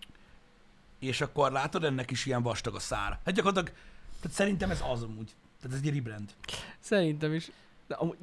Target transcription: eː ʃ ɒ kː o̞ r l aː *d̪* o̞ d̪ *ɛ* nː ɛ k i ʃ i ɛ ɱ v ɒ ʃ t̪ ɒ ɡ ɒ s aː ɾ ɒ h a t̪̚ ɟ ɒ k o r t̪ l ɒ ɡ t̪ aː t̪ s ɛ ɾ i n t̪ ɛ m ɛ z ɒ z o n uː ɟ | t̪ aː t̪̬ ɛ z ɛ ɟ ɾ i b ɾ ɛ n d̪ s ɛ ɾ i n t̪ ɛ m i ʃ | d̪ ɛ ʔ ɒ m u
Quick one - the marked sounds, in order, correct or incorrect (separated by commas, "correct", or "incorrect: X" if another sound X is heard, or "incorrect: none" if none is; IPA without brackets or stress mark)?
incorrect: t̪, correct